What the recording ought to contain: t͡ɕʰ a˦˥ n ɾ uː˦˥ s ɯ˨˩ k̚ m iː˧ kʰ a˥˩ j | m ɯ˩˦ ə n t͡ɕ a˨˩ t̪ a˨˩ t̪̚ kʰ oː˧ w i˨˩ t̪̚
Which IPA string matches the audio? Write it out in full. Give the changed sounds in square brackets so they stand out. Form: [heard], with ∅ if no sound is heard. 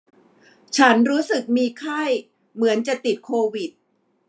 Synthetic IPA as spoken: t͡ɕʰ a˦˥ n ɾ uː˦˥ s ɯ˨˩ k̚ m iː˧ kʰ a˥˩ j | m ɯ˩˦ ə n t͡ɕ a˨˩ t̪ [i˨˩] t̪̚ kʰ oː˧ w i˨˩ t̪̚